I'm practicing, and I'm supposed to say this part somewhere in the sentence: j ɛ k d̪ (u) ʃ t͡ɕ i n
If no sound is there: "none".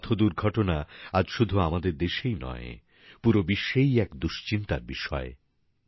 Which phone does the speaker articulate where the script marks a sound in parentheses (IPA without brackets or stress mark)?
u